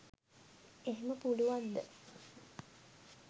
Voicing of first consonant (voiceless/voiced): voiced